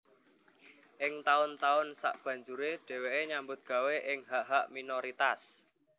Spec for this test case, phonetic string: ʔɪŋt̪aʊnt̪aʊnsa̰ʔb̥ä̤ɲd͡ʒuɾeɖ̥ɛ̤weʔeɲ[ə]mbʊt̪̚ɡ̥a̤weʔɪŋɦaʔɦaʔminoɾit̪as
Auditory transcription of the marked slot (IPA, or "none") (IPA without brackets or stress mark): a